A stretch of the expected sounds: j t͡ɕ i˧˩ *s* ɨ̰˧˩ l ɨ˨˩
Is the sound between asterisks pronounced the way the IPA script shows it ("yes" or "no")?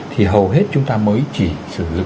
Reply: yes